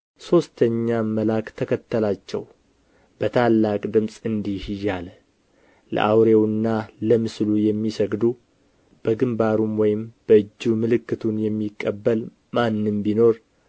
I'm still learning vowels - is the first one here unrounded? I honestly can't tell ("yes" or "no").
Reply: no